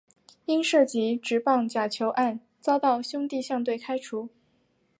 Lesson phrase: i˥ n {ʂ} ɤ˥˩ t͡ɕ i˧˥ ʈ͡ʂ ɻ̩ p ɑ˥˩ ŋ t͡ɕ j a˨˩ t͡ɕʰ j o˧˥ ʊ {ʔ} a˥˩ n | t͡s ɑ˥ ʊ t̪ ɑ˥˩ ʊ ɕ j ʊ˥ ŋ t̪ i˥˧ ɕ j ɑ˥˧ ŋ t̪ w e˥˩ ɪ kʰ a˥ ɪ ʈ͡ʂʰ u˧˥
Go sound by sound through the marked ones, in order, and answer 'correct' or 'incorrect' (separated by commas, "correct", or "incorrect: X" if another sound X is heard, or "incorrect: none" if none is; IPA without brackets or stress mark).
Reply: correct, correct